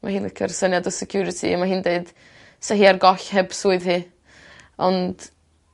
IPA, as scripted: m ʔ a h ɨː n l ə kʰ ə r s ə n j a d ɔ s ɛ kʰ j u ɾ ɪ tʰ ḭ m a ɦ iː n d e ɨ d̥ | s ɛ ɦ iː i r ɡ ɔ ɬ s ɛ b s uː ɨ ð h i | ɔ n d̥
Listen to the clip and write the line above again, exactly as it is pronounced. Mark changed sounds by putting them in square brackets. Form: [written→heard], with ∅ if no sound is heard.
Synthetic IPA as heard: m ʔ a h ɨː n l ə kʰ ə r s ə n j a d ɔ s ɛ kʰ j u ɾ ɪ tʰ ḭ m a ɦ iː n d e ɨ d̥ | s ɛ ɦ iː [i→a] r ɡ ɔ ɬ [s→h] ɛ b s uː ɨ ð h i | ɔ n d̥